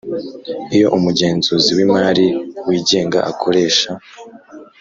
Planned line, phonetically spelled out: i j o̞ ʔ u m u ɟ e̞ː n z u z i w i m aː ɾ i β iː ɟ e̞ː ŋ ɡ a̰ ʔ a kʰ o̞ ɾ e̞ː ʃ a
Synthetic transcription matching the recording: i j o̞ ʔ u m u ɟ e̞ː n z u z i w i m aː ɾ i w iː ɟ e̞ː ŋ ɡ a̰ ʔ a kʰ o̞ ɾ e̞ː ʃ a